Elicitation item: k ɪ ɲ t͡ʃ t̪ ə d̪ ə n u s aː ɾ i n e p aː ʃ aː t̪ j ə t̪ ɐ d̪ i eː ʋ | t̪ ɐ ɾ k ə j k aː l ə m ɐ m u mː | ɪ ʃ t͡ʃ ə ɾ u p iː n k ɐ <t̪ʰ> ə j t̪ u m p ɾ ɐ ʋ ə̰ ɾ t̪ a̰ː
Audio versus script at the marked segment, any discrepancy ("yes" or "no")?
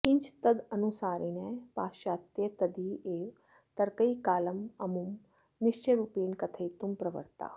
no